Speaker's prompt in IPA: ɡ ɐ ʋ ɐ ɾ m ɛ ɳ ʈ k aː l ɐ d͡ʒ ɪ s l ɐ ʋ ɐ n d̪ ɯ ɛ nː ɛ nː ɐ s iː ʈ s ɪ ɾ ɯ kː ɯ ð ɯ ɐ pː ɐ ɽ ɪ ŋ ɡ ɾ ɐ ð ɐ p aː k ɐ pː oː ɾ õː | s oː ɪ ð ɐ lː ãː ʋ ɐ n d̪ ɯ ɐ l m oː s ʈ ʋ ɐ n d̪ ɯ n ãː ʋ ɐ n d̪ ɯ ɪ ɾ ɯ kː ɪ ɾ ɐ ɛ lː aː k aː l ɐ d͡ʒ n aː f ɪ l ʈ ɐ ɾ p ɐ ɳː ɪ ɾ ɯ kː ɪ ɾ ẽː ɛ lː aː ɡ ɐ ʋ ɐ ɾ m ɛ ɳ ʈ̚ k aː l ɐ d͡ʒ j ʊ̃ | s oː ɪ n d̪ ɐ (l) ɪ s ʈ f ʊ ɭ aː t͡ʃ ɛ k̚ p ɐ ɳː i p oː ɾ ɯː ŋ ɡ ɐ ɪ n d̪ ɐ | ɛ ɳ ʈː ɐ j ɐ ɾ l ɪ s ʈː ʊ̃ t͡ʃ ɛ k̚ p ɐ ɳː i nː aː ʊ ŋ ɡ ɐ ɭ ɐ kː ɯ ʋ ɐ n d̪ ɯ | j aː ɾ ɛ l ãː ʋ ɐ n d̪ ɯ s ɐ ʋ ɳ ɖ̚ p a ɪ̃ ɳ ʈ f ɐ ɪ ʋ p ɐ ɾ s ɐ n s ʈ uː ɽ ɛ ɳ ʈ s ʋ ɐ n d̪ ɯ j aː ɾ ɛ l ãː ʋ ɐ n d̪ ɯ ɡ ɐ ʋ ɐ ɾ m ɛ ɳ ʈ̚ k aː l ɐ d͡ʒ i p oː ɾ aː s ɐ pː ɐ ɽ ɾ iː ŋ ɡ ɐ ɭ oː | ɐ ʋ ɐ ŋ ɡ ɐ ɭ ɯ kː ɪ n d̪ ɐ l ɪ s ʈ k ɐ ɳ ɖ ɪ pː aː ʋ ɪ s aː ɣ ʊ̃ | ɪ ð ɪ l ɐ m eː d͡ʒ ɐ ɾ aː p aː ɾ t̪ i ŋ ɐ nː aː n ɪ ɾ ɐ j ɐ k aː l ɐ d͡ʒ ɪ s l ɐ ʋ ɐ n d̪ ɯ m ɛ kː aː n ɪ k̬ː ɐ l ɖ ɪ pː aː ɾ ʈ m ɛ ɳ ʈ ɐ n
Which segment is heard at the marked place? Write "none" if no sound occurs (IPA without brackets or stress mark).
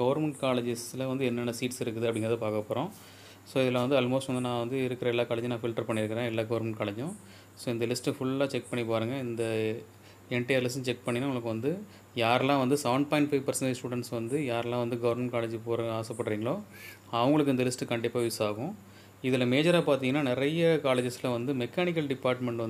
l